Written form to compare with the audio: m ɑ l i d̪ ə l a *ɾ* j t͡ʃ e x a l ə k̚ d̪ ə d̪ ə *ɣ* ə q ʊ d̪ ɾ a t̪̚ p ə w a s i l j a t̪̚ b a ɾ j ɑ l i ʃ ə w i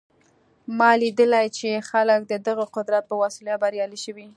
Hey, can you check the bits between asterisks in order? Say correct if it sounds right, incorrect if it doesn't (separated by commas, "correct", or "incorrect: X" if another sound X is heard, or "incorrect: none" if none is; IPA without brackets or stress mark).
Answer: incorrect: none, correct